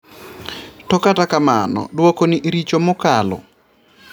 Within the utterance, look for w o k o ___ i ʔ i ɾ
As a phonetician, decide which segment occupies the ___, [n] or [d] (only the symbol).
n